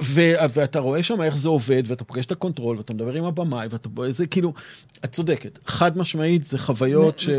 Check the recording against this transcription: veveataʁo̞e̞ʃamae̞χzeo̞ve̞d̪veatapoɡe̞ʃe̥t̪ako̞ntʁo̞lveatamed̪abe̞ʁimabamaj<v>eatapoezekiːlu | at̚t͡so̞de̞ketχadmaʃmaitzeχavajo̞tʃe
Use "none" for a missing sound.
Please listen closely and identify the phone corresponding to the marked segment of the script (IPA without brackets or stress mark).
v